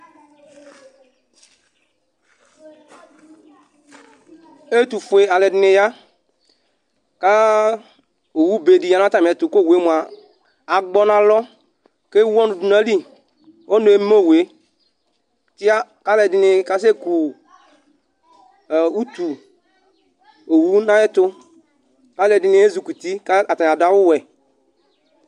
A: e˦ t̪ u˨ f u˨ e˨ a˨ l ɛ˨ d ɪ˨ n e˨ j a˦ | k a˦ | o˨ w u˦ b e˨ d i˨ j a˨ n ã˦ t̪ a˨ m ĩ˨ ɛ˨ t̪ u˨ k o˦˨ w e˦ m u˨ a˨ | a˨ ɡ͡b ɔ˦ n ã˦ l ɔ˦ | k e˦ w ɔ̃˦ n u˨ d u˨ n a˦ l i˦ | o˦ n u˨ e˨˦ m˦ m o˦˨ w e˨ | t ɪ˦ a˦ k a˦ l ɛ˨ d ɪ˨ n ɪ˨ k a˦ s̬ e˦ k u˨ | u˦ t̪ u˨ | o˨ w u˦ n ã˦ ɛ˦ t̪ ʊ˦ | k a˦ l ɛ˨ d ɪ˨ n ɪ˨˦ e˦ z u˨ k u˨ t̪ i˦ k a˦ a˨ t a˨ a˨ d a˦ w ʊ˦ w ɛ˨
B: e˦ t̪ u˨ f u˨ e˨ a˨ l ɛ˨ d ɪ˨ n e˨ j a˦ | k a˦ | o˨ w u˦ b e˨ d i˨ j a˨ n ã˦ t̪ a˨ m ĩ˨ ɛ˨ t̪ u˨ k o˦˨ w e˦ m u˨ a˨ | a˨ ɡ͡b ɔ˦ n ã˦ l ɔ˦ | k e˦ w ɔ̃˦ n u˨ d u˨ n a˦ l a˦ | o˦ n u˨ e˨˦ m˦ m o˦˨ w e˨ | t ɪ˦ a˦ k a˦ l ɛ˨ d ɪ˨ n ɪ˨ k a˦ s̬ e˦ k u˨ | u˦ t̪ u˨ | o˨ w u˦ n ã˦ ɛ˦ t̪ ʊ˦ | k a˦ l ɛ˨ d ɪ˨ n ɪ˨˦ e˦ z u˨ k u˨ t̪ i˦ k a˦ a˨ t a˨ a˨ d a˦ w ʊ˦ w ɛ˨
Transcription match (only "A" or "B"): A